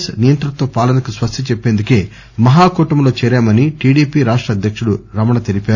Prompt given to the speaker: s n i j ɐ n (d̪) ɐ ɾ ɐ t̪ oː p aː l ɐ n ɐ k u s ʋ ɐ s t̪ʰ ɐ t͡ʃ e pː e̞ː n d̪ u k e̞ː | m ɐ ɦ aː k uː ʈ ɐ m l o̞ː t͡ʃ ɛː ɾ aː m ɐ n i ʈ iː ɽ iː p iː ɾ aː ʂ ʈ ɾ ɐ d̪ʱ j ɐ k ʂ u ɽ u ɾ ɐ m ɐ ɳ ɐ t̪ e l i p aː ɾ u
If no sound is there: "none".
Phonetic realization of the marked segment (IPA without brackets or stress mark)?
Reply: t̪